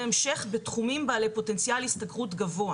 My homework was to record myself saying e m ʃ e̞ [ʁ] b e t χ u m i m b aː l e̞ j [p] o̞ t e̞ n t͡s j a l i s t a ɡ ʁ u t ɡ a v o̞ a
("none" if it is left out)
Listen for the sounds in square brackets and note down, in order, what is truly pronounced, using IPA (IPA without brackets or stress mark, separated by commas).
χ, p